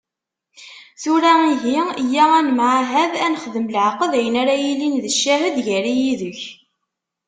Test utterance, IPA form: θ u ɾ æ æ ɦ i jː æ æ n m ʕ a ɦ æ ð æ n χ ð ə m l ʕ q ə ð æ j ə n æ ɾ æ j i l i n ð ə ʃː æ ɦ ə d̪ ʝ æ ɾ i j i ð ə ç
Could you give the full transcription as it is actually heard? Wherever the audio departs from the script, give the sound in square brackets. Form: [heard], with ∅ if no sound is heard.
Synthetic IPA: θ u ɾ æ [i] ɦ i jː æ æ n m ʕ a ɦ æ ð æ n χ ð ə m l ʕ q ə ð æ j ə n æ ɾ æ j i l i n ð ə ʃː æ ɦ ə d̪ ʝ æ ɾ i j i ð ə ç